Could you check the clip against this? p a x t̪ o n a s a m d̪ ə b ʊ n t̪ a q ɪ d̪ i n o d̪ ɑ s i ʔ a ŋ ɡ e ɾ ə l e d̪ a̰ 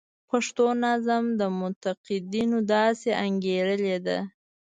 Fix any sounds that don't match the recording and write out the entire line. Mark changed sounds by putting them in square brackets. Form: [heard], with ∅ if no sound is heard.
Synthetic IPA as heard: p a [ʂ] t̪ o n a [z] a m d̪ ə [m] ʊ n t̪ a q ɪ d̪ i n o d̪ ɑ s [e] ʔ a ŋ ɡ e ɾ ə l e d̪ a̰